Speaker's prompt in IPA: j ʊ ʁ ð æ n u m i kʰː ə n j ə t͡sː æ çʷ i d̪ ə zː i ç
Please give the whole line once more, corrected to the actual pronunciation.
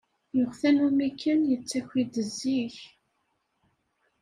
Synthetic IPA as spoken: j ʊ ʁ θ æ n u m i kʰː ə n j ə t͡sː æ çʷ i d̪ ə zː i ç